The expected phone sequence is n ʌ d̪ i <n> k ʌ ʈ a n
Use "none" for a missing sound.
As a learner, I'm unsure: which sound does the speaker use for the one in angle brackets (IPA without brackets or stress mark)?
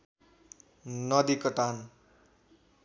none